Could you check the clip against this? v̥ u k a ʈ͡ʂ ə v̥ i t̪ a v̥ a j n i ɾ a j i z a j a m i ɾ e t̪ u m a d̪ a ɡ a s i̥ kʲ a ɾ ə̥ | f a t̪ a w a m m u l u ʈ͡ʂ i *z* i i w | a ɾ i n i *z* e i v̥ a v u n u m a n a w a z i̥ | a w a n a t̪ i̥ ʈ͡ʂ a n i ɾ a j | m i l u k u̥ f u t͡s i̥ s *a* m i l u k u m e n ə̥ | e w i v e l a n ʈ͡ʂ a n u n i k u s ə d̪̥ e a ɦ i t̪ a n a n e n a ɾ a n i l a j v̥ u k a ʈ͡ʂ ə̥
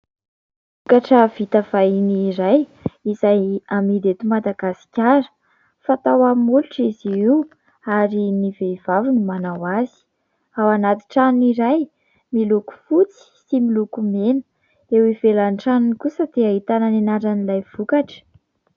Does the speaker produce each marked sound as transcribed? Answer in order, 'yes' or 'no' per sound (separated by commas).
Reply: yes, no, no